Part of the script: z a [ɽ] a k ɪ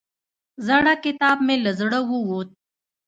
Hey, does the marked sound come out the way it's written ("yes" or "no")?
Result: yes